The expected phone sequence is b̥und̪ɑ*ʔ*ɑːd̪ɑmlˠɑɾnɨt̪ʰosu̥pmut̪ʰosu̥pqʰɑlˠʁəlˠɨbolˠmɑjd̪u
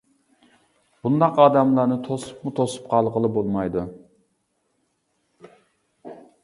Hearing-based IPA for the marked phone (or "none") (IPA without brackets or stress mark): q